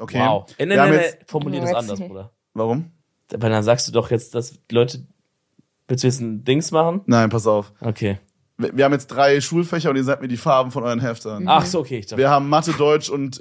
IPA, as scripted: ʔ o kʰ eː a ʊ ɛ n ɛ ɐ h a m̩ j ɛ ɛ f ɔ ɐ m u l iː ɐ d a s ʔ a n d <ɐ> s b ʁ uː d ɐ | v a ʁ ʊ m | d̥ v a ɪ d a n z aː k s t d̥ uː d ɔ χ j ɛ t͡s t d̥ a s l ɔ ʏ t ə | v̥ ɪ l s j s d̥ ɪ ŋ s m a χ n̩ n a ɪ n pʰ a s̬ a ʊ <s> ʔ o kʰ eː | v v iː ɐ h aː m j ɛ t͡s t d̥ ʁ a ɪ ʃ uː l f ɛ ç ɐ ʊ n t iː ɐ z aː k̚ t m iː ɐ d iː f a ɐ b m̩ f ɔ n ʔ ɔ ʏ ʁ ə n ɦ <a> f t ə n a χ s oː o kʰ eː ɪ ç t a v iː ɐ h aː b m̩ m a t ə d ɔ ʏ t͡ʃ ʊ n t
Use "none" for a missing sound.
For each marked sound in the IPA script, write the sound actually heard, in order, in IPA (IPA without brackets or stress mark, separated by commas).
ɐ, f, ɛ